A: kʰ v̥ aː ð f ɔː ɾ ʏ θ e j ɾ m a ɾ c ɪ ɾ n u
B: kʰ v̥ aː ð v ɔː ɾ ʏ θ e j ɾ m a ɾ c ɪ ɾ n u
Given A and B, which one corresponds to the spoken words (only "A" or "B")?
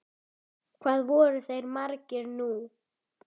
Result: B